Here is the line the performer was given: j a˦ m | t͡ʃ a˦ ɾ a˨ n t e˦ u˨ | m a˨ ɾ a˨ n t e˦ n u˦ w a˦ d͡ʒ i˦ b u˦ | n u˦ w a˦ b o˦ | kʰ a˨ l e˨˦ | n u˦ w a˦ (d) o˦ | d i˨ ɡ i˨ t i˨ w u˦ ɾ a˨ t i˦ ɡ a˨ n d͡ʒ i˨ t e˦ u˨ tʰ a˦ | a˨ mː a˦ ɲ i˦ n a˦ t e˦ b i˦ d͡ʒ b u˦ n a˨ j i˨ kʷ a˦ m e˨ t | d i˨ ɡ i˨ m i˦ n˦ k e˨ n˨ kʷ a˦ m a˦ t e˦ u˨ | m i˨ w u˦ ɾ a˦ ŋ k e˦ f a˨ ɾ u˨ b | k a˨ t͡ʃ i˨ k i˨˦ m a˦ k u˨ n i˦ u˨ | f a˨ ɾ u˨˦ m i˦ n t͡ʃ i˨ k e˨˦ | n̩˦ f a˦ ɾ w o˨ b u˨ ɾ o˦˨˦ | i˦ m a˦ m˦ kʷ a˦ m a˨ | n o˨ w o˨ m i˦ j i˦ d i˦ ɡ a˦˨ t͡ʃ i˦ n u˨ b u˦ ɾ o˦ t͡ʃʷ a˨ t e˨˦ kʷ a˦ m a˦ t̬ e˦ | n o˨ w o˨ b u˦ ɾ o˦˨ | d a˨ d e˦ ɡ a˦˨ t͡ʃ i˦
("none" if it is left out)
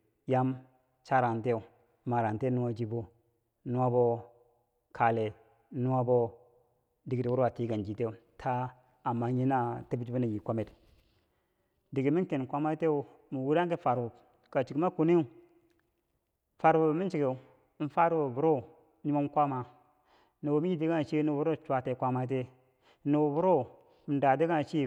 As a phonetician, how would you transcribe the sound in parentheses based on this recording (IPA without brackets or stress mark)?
b